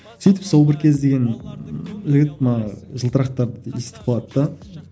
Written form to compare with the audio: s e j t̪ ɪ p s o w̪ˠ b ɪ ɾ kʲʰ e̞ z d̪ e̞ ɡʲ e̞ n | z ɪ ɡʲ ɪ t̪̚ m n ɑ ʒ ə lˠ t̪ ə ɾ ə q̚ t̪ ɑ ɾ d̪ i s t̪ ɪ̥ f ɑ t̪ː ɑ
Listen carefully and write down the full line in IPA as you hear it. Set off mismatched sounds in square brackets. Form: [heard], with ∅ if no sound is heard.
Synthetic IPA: s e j t̪ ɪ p s o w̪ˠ b ɪ ɾ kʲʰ e̞ z d̪ e̞ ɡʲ e̞ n | [ʒ] ɪ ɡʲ ɪ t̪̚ m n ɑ ʒ ə lˠ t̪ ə ɾ [ɑ] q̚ t̪ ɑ ɾ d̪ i s t̪ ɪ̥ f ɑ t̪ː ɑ